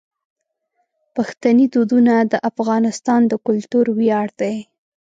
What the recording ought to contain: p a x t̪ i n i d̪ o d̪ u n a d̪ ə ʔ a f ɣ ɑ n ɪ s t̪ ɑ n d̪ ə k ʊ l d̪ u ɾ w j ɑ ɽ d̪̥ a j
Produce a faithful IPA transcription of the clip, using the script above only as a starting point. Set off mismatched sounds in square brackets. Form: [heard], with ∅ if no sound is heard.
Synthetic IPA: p a x t̪ [a] n i d̪ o d̪ u n a d̪ ə ʔ a f ɣ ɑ n ɪ s t̪ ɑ n d̪ ə k ʊ l [t̪] u ɾ w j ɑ ɽ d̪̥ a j

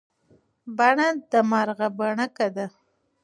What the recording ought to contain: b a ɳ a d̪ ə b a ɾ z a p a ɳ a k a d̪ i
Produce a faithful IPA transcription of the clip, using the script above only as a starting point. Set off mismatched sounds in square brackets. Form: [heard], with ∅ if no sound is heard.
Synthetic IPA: b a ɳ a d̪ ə [m] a ɾ [ɣ] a [b] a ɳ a k a d̪ [a]

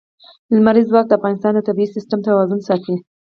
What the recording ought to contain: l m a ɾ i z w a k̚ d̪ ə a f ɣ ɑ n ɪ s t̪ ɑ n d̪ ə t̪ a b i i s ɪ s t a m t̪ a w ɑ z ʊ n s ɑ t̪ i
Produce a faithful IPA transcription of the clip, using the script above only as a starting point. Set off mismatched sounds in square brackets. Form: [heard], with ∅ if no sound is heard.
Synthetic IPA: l m a ɾ i z w [ɑ] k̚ d̪ ə a f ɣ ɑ n ɪ s t̪ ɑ n d̪ ə t̪ a b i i s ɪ s t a m t̪ a w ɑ z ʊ n s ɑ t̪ i

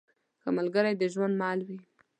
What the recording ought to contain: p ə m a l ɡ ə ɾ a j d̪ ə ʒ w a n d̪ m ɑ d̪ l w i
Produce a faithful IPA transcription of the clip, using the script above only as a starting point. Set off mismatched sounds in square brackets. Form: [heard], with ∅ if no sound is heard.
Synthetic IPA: [k] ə m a l ɡ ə ɾ a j d̪ ə ʒ w a n d̪ m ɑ [∅] l w i

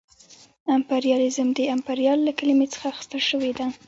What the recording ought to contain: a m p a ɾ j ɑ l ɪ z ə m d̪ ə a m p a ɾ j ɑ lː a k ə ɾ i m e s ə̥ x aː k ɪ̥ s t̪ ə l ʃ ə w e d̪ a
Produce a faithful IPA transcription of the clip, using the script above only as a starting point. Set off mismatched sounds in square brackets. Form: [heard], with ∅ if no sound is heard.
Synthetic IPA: a m p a ɾ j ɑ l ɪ z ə m d̪ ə a m p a ɾ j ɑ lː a k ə [l] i m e [t͡s] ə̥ x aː [x] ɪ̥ s t̪ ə l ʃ ə w e d̪ a

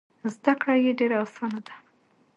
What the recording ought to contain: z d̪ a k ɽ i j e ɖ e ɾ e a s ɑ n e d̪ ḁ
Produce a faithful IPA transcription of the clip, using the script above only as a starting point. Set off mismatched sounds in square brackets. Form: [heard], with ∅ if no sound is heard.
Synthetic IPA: z d̪ a k ɽ [a] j e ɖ e ɾ [a] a s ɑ n [a] d̪ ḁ

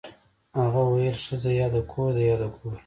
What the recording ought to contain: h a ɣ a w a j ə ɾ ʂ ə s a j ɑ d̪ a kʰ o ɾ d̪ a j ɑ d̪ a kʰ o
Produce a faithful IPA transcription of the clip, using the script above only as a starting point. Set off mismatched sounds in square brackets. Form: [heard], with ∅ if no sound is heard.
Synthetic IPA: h a ɣ a w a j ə [l] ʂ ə [z] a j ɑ d̪ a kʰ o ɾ d̪ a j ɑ d̪ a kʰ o

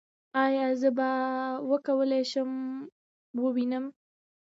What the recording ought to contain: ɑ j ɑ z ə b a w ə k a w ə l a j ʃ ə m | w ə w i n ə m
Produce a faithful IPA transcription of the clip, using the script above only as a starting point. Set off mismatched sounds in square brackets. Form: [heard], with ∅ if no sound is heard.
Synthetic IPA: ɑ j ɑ z ə b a w ə k a w ə l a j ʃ ə m | w ə w i n ə m

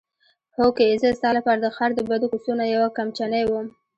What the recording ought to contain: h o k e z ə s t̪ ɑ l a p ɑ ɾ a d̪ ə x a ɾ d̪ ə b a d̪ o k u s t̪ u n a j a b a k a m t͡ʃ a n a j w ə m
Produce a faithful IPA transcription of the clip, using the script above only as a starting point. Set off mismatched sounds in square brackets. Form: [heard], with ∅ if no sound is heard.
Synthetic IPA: h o k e z ə s t̪ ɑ l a p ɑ ɾ a d̪ ə x a ɾ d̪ ə b a d̪ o k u s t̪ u n a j a [w] a k a m t͡ʃ a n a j w ə m

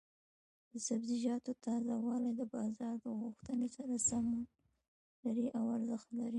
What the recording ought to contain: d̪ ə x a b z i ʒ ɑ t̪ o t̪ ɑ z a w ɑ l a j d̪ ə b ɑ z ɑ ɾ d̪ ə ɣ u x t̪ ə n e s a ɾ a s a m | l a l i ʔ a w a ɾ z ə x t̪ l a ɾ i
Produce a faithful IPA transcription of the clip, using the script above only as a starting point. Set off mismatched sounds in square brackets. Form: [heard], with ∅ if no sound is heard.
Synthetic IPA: d̪ ə [s] a b z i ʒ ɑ t̪ o t̪ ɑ z a w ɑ l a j d̪ ə b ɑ z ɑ ɾ d̪ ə ɣ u x t̪ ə n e s a ɾ a s a m | l a [ɾ] i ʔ a w a ɾ z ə x t̪ l a ɾ i

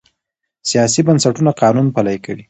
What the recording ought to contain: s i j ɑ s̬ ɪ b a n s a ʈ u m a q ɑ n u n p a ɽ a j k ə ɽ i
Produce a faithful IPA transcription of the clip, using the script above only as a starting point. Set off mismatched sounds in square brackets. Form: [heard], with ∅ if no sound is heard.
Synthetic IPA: s i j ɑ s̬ [i] b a n s a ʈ u [n] a q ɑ n u n p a [l] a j k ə ɽ i

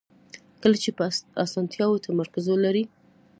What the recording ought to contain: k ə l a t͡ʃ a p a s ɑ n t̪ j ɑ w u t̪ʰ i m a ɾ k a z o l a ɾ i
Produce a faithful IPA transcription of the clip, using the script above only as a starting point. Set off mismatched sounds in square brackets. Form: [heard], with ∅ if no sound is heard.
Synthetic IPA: k ə l a t͡ʃ [e] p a s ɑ n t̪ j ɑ w [o] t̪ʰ [a] m a ɾ k a z o l a ɾ i

